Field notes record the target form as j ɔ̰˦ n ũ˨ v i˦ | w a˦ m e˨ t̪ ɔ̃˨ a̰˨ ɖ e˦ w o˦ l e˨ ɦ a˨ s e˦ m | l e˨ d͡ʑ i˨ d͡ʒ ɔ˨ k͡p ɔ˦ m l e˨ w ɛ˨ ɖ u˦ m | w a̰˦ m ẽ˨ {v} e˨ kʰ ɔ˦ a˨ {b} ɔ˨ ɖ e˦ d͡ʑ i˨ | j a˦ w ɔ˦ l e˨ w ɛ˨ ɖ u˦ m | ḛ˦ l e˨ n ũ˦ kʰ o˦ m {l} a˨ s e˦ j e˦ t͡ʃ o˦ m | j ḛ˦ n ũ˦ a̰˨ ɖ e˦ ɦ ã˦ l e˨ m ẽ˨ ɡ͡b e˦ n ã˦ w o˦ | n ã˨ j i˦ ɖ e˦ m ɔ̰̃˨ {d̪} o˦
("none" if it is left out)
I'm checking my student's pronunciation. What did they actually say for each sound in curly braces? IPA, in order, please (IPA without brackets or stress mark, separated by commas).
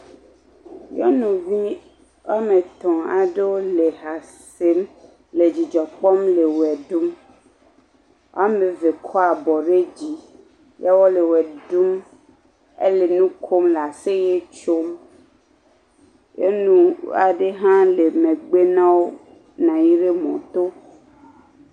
v, b, l, t̪